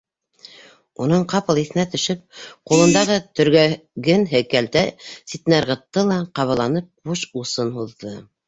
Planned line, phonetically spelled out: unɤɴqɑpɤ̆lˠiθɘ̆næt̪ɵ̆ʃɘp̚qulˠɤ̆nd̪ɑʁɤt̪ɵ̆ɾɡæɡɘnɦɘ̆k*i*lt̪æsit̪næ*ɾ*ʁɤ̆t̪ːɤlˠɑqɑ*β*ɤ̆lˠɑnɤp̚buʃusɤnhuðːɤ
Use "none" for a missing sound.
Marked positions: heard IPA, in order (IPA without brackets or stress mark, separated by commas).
æ, ɾ, β